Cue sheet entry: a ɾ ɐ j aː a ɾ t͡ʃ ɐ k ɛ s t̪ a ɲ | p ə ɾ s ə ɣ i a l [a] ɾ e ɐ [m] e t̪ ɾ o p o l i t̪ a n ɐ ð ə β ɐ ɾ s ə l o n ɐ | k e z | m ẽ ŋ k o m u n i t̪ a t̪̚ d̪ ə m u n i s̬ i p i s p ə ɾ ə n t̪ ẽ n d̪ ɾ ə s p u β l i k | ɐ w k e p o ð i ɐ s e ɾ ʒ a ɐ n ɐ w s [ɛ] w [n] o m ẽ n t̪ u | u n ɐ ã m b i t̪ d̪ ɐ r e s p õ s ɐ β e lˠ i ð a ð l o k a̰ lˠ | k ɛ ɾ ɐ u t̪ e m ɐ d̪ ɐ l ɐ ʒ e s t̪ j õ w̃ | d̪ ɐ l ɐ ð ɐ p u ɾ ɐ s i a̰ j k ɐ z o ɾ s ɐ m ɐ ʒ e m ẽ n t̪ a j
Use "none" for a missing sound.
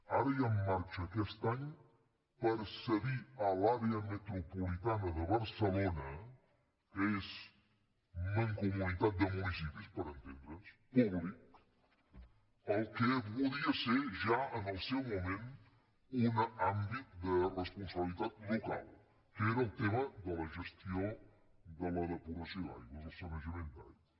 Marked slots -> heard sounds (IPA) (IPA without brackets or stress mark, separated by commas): a, m, e, m